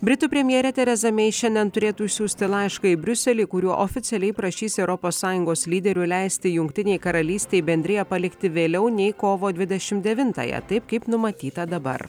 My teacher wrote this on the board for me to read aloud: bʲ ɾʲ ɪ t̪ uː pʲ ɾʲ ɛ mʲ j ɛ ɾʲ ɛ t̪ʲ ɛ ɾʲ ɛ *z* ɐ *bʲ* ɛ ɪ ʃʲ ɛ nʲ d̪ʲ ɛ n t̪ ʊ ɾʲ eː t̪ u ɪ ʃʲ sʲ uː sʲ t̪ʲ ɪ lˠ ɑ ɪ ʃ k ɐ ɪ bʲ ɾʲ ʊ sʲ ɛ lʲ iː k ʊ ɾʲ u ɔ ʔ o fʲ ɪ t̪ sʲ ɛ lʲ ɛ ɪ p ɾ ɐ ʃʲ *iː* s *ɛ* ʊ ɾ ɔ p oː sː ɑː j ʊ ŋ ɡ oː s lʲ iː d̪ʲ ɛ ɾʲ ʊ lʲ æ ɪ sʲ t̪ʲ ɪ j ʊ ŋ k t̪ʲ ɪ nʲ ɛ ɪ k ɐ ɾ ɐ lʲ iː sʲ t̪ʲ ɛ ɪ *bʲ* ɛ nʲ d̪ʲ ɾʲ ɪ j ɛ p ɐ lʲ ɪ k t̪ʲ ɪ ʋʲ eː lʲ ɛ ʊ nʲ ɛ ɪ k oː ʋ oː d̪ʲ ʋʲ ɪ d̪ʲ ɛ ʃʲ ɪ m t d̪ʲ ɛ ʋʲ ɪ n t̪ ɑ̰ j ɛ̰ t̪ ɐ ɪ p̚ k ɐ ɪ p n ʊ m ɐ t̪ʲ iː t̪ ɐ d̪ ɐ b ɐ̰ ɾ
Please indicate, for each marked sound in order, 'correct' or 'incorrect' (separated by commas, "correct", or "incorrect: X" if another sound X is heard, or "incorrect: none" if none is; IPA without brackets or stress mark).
correct, incorrect: mʲ, correct, correct, correct